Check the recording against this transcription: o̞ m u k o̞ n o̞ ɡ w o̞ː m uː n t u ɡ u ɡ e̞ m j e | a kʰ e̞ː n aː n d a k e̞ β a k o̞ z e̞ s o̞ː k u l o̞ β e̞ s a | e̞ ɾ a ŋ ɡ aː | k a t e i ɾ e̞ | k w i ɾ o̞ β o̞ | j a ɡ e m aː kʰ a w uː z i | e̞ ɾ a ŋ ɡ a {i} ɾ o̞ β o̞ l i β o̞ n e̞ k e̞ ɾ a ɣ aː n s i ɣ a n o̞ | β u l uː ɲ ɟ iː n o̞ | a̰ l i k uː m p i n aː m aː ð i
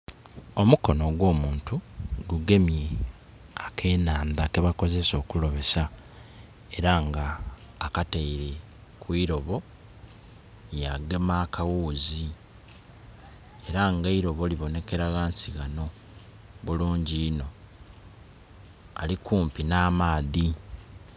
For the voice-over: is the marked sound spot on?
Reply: yes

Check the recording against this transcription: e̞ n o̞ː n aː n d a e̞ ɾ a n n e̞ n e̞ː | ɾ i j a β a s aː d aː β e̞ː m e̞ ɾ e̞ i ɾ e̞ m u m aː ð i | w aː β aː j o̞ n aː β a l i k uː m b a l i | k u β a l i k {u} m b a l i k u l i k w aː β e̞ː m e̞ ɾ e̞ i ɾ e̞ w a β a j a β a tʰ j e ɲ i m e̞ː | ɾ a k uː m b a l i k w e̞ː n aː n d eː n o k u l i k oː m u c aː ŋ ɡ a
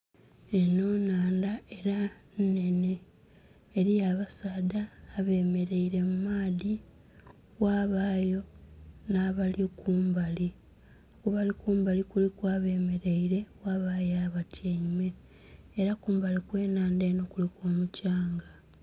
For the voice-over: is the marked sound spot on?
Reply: no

